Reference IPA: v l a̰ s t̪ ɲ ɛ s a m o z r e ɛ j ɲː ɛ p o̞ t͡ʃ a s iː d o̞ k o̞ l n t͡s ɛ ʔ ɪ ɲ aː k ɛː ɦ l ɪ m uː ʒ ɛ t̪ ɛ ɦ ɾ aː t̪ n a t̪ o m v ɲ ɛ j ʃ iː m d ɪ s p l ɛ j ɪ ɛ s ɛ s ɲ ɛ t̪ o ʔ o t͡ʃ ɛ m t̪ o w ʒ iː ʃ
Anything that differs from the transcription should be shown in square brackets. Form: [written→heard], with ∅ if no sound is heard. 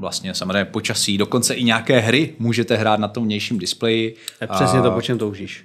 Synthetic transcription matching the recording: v l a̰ s t̪ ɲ ɛ s a m o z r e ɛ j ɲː ɛ p o̞ t͡ʃ a s iː d o̞ k o̞ [l→∅] n t͡s ɛ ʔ ɪ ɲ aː k ɛː ɦ [l→ɾ] ɪ m uː ʒ ɛ t̪ ɛ ɦ ɾ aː t̪ n a t̪ o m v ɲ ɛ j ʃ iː m d ɪ s p l ɛ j ɪ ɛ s ɛ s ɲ ɛ t̪ o [ʔ→p] o t͡ʃ ɛ m t̪ o w ʒ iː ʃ